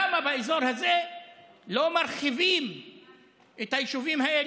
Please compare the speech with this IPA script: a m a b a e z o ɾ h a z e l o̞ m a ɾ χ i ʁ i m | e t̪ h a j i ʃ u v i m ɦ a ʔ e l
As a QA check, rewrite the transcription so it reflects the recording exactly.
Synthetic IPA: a m a b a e z o ɾ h a z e l o̞ m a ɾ χ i v i m | e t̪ h a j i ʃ u v i m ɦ a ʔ e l